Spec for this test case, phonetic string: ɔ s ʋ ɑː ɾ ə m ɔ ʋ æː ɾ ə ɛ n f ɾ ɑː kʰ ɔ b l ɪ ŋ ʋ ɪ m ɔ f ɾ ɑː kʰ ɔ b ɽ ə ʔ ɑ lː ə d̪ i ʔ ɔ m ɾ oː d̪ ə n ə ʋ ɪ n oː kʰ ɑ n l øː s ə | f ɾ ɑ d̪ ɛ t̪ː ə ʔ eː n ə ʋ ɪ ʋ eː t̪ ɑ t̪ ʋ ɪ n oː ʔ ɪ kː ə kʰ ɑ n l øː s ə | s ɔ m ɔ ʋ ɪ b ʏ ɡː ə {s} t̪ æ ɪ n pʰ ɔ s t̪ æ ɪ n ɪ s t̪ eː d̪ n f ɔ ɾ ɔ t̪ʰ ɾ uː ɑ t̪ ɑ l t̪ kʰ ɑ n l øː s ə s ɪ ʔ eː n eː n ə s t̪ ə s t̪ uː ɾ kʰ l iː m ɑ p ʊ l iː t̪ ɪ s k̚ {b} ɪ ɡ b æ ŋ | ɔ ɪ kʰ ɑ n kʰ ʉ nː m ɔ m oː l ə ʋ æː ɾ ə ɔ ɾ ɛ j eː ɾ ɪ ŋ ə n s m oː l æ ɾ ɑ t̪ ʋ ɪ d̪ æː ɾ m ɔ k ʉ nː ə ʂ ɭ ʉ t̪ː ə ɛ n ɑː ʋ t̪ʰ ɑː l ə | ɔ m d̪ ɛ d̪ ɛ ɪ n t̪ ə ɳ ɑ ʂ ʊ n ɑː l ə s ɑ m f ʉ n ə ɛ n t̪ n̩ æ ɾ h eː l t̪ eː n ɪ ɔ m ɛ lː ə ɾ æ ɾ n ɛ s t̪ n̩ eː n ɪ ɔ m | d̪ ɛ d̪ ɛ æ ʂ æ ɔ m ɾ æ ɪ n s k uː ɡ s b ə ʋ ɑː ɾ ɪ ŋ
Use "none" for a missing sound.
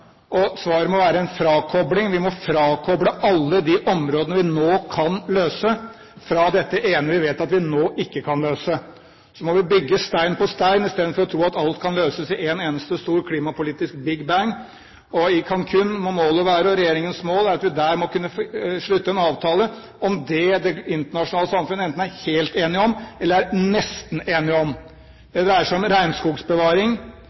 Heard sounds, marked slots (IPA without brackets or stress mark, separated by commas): s, b